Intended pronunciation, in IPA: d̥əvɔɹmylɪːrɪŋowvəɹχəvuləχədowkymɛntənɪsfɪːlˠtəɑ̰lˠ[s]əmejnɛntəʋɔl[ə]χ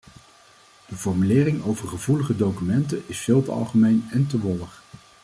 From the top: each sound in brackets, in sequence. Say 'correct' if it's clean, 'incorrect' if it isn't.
incorrect: χ, correct

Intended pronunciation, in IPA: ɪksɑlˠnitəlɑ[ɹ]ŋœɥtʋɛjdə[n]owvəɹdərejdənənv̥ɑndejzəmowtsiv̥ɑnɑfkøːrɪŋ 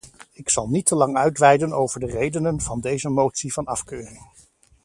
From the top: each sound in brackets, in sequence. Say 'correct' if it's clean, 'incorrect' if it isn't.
incorrect: none, correct

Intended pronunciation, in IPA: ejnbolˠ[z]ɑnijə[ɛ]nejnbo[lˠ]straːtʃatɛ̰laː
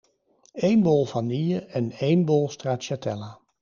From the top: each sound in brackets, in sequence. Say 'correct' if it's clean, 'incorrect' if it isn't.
incorrect: v, correct, correct

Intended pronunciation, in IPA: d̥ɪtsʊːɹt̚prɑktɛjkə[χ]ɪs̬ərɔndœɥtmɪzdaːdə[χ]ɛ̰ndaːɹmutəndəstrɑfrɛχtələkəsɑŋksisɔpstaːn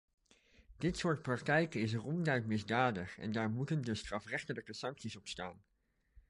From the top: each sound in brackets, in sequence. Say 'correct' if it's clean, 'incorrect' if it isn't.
incorrect: none, correct

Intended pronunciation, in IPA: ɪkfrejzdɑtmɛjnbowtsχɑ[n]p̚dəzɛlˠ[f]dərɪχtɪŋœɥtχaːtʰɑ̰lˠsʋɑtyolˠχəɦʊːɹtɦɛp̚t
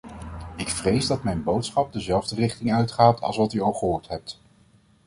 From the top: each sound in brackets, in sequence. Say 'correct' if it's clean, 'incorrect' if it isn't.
incorrect: none, incorrect: v

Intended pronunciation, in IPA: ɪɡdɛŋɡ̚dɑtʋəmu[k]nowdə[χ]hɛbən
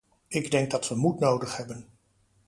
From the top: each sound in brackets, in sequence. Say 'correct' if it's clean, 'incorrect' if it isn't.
incorrect: t, correct

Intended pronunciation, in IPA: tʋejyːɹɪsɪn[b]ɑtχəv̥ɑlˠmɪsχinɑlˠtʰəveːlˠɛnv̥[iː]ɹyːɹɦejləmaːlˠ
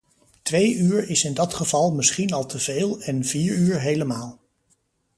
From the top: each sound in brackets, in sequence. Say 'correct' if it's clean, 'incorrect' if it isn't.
incorrect: d, correct

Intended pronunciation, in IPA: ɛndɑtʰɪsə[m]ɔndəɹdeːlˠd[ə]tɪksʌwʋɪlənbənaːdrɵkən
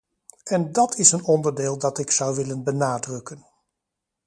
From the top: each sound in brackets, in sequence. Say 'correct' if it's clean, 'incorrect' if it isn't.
incorrect: n, incorrect: ɑ

